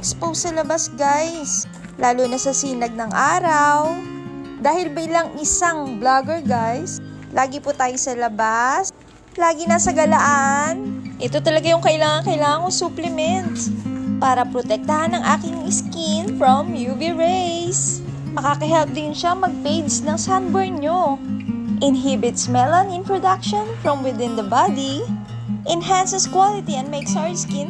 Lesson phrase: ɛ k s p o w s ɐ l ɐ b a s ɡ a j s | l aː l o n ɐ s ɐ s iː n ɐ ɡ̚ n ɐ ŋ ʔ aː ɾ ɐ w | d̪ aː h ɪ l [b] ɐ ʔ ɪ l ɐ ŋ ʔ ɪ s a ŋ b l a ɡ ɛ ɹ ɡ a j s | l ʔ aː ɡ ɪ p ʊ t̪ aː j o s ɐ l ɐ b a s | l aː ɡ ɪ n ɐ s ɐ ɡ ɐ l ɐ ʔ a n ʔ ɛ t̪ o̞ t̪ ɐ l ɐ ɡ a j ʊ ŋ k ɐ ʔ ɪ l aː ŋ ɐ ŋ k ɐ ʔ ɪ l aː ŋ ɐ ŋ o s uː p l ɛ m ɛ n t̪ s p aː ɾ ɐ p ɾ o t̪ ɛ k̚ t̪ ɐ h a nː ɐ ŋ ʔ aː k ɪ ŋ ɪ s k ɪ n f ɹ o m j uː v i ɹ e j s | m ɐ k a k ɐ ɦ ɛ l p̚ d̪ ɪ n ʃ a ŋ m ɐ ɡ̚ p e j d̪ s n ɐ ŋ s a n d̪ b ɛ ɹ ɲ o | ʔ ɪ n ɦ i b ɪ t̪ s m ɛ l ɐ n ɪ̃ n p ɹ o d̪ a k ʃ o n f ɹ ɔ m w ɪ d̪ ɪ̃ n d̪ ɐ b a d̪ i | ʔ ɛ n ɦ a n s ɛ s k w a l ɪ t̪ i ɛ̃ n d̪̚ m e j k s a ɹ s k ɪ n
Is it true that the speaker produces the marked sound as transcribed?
yes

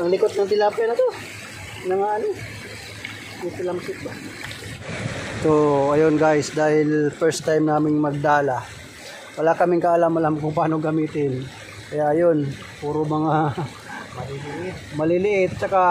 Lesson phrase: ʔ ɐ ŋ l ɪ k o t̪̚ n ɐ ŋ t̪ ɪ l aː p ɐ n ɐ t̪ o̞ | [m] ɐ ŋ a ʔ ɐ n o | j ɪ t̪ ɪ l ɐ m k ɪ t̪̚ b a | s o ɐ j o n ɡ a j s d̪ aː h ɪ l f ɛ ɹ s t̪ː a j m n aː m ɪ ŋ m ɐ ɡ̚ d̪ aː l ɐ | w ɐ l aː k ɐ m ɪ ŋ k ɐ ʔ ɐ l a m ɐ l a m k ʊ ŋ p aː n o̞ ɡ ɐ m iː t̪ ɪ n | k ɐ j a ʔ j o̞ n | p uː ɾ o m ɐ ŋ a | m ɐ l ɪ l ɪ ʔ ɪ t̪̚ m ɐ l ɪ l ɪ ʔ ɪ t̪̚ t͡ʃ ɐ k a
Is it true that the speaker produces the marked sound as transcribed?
no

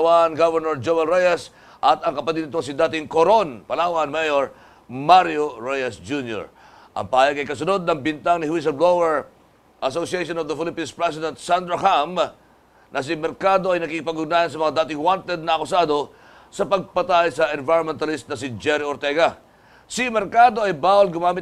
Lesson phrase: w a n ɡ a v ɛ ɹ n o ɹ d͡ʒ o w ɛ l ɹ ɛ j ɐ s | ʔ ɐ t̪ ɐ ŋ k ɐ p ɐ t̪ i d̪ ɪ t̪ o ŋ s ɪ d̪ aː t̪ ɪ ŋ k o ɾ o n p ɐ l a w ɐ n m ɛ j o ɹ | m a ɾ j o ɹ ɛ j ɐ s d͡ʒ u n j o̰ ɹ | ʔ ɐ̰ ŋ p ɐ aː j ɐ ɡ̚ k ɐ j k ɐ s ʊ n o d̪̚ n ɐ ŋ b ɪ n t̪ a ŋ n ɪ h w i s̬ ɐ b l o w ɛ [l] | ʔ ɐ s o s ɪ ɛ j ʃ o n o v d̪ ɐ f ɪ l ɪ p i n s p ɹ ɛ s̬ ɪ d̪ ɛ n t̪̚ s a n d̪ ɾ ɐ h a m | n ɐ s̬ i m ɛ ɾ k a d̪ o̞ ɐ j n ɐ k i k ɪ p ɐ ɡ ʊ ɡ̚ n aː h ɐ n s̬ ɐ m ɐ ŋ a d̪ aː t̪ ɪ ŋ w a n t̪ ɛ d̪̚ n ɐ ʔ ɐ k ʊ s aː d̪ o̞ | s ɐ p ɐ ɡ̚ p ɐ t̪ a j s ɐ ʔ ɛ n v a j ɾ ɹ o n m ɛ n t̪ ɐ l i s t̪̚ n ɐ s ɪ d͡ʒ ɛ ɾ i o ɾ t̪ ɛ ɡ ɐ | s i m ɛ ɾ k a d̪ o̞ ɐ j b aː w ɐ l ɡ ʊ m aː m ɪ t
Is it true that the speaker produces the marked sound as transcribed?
no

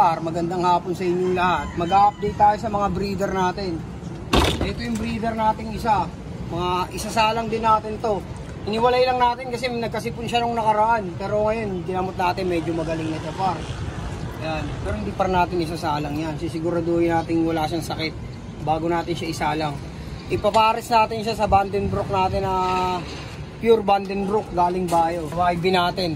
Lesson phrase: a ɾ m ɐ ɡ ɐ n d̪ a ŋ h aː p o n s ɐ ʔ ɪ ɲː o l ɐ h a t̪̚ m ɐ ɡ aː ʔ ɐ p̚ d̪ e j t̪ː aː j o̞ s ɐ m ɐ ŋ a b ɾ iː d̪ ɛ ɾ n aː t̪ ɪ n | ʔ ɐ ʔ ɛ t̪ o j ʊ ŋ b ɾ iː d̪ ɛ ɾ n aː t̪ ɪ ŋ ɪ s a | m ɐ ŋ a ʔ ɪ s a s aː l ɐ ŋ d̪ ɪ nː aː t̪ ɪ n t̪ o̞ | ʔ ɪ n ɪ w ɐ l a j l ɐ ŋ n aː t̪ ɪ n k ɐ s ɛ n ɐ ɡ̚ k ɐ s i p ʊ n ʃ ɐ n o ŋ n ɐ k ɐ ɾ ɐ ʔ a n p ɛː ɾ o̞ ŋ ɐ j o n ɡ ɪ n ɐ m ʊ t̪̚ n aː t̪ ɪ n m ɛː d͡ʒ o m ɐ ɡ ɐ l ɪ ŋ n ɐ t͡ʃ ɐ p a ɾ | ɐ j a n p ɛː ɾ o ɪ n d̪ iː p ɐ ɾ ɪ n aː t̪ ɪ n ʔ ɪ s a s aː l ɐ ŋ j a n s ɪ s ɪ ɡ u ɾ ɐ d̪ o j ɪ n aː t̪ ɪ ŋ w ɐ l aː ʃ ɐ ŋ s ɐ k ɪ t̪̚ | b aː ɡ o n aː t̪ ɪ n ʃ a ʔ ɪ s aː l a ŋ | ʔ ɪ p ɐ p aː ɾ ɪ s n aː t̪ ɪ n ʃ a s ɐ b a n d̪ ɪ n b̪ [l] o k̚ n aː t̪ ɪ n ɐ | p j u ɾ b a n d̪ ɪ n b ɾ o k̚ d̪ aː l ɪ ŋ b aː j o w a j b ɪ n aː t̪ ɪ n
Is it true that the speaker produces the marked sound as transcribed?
no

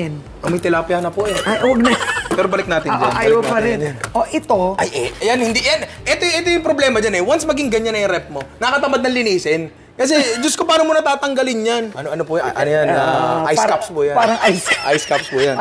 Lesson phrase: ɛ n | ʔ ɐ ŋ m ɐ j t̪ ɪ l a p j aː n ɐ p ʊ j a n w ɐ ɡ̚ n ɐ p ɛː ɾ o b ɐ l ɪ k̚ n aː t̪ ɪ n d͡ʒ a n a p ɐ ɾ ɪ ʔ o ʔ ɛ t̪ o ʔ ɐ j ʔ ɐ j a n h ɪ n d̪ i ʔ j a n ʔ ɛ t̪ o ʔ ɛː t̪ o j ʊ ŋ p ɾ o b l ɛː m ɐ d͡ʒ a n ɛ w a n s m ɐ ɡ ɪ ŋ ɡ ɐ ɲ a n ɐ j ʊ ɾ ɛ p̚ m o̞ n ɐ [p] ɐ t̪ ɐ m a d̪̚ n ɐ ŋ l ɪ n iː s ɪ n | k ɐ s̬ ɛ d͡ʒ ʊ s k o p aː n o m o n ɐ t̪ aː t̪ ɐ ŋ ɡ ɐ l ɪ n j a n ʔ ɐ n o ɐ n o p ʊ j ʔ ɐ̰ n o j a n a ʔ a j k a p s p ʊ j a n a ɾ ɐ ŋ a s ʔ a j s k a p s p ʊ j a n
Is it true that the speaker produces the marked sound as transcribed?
no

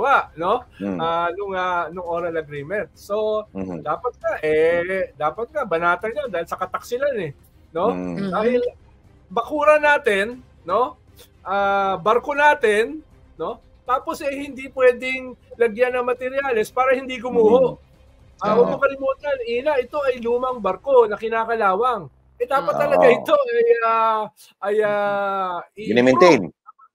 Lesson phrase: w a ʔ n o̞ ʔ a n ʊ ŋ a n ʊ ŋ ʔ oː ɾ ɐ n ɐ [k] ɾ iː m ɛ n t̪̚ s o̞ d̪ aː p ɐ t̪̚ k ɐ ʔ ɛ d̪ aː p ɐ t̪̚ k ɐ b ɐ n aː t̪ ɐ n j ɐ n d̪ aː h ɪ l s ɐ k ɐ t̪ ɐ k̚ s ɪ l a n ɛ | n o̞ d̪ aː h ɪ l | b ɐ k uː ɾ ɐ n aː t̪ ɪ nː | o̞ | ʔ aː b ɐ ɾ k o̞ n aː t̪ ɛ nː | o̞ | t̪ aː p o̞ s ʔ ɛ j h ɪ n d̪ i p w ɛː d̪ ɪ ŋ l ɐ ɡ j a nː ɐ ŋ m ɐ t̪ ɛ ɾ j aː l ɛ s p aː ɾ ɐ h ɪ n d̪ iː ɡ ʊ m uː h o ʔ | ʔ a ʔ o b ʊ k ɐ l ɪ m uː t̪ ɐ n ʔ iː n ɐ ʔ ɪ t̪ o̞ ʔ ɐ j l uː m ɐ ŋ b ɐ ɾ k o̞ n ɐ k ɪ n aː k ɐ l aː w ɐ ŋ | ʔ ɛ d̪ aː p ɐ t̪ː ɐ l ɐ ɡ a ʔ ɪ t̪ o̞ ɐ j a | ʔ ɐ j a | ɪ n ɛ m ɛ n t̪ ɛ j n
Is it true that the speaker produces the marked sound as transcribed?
no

